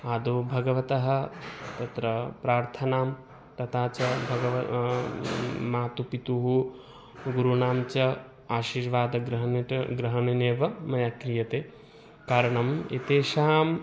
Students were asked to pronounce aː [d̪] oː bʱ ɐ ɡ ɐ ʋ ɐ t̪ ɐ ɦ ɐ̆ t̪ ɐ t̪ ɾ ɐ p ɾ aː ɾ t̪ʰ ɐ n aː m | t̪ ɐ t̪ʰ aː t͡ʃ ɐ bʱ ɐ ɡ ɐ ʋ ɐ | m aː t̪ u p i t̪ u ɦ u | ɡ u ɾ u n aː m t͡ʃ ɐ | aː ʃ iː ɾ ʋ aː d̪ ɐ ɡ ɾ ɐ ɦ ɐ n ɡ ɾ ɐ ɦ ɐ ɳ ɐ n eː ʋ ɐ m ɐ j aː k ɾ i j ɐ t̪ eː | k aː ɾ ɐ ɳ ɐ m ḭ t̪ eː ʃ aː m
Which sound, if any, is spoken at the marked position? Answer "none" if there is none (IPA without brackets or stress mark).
d̪